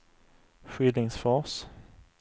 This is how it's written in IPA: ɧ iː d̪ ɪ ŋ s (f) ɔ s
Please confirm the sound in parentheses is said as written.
yes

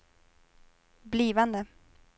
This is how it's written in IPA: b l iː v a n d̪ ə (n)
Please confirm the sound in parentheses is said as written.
no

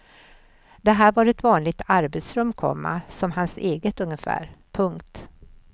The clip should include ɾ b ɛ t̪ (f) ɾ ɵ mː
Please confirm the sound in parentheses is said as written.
no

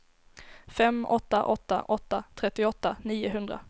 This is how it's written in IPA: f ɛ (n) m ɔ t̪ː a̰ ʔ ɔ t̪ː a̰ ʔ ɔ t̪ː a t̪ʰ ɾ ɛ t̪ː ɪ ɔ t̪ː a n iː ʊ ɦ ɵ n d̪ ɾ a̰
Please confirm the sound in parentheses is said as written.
no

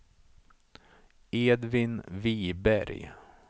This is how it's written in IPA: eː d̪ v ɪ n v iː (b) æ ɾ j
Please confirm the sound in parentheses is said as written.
yes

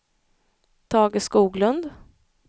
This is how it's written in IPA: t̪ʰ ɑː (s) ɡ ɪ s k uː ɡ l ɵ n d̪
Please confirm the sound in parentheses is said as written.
no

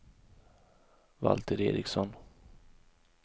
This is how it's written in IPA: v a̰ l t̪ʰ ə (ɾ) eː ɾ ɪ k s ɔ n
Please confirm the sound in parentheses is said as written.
yes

